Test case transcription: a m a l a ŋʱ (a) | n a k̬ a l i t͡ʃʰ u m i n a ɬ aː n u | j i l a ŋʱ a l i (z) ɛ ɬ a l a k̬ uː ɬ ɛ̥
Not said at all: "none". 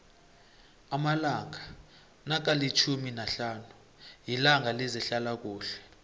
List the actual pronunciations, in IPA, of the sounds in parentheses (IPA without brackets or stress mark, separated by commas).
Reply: a, z